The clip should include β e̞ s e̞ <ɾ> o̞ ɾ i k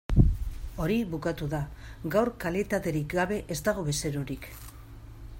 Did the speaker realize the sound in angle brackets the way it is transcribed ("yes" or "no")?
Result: yes